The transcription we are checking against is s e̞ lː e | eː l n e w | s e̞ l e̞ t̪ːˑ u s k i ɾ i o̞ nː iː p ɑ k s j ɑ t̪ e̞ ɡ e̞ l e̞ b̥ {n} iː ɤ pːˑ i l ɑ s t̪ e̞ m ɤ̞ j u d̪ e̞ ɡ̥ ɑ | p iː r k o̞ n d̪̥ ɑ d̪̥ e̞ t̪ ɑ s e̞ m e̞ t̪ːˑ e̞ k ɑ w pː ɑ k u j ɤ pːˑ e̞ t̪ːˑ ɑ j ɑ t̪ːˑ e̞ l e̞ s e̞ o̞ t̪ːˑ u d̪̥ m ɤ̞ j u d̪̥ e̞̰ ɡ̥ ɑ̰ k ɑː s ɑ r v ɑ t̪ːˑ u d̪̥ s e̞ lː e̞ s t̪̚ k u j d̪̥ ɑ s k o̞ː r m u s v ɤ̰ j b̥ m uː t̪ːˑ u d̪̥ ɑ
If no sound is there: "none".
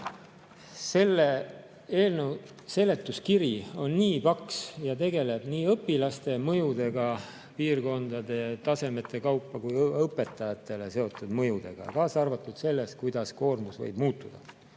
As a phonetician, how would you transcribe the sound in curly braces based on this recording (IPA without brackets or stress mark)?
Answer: n